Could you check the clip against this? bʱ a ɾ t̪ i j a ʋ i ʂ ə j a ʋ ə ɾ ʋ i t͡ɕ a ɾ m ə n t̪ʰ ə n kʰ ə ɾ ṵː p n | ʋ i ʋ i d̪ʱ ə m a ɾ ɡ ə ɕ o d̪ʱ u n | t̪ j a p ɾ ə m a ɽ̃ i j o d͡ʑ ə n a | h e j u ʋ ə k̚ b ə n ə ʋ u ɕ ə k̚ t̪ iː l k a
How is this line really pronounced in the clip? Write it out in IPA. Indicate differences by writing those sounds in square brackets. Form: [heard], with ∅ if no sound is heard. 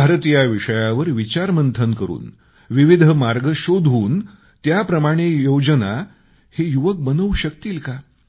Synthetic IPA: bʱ a ɾ t̪ i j a ʋ i ʂ ə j a ʋ ə ɾ ʋ i t͡ɕ a ɾ m ə n t̪ʰ ə n [k] ə ɾ ṵː [∅] n | ʋ i ʋ i d̪ʱ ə m a ɾ ɡ ə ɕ o d̪ʱ [uː] n | t̪ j a p ɾ ə m a ɽ̃ [e] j o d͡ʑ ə n a | h e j u ʋ ə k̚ b ə n ə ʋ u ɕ ə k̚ t̪ iː l k a

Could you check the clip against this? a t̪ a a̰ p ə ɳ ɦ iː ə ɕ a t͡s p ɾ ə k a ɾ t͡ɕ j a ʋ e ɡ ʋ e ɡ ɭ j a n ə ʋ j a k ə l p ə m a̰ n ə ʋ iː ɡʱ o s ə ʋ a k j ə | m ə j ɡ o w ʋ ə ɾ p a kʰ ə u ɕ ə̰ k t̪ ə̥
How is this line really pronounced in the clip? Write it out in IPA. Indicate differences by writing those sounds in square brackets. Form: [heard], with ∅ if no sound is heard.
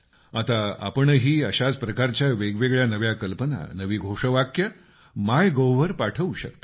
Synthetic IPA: a t̪ a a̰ p ə ɳ ɦ iː ə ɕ a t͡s p ɾ ə k a ɾ t͡ɕ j a ʋ e ɡ ʋ e ɡ ɭ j a n ə ʋ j a k ə l p ə [n] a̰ n ə ʋ iː ɡʱ o [ʂ] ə ʋ a k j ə | m [a] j ɡ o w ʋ ə ɾ p a [ʈʰ] ə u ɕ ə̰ k t̪ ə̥

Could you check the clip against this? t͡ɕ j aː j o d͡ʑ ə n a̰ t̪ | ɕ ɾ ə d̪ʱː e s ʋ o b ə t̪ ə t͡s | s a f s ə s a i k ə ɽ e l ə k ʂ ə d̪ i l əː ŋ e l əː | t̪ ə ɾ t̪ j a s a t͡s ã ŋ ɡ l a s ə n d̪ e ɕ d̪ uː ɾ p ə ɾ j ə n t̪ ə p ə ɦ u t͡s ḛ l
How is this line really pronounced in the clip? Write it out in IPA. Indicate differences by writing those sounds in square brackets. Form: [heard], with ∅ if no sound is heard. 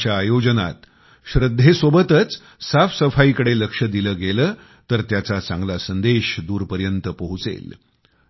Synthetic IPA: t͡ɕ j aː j o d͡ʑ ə n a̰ t̪ | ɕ ɾ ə d̪ʱː e s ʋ o b ə t̪ ə t͡s | s a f s ə [f] a i k ə ɽ e l ə k ʂ ə d̪ i l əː [ɡ] e l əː | t̪ ə ɾ t̪ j a [t͡s] a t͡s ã ŋ ɡ l a s ə n d̪ e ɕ d̪ uː ɾ p ə ɾ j ə n t̪ ə p ə ɦ u t͡s ḛ l

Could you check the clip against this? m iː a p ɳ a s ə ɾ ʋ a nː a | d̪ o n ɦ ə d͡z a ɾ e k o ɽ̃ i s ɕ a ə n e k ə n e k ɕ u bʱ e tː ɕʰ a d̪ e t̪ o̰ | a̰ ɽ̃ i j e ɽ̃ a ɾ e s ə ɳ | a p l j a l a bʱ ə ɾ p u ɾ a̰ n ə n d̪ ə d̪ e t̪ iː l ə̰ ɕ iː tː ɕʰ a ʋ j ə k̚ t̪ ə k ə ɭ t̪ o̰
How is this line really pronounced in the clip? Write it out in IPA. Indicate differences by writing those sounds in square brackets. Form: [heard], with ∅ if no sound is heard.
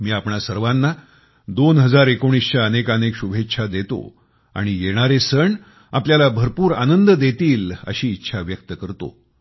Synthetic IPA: m iː a p ɳ a s ə ɾ ʋ a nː a | d̪ o n ɦ ə d͡z a ɾ e k o ɽ̃ i s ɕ a ə n e k ə n e k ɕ u bʱ e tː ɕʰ a d̪ e t̪ o̰ | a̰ ɽ̃ i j e ɽ̃ a ɾ e s ə ɳ | a p l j a l a bʱ ə ɾ p [uː] ɾ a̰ n ə n d̪ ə d̪ e t̪ iː l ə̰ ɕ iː tː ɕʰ a ʋ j ə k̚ t̪ ə k ə [ɾ] t̪ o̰

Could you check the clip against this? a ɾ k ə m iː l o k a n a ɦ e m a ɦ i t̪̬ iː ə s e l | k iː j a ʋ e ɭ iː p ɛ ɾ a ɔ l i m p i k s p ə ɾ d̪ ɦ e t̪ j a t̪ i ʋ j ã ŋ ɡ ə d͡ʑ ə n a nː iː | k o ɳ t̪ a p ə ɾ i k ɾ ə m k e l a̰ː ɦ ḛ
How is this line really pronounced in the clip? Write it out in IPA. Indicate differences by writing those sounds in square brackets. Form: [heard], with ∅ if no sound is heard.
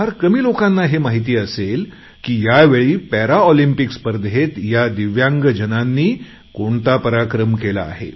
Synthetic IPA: a ɾ k ə m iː l o k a [nː] a ɦ e m a ɦ i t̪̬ iː ə s e l | k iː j a ʋ e ɭ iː p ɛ ɾ a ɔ l i m p i k s p ə ɾ d̪ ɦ e t̪ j a [d̪] i ʋ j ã ŋ ɡ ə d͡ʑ ə n a nː iː | k o ɳ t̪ a p ə ɾ [a] k ɾ ə m k e l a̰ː ɦ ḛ

